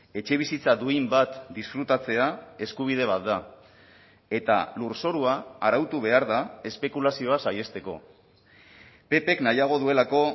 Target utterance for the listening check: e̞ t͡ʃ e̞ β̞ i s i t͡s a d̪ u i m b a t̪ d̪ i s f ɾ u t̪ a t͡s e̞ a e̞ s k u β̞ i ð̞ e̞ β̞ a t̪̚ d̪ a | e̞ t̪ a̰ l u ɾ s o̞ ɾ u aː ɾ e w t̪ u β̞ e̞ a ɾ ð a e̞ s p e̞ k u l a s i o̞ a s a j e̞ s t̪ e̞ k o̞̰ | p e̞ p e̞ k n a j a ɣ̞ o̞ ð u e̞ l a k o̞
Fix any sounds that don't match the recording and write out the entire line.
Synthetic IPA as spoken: e̞ t͡ʃ e̞ β̞ i s i t͡s a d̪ u i m b a t̪ d̪ i s f ɾ u t̪ a t͡s e̞ a e̞ s k u β̞ i ð̞ e̞ β̞ a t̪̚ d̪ a | e̞ t̪ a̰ l u ɾ s o̞ ɾ u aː ɾ a w t̪ u β̞ e̞ a ɾ ð a e̞ s p e̞ k u l a s i o̞ a s a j e̞ s t̪ e̞ k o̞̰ | p e̞ p e̞ k n a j a ɣ̞ o̞ ð u e̞ l a k o̞